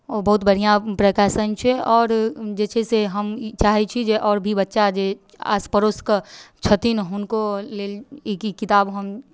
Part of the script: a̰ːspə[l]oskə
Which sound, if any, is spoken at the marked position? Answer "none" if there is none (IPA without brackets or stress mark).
ɾ